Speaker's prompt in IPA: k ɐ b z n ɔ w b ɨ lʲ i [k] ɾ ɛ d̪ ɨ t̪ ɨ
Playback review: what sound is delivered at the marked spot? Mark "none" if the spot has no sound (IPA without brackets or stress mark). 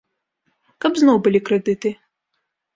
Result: k